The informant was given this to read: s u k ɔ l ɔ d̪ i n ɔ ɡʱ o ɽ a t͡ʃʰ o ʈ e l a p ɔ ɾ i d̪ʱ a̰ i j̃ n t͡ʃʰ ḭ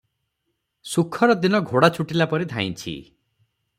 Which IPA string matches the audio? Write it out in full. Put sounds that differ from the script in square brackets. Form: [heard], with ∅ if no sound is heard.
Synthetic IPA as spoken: s u [kʰ] ɔ [ɾ] ɔ d̪ i n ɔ ɡʱ o ɽ a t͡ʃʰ [u] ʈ [i] l a p ɔ ɾ i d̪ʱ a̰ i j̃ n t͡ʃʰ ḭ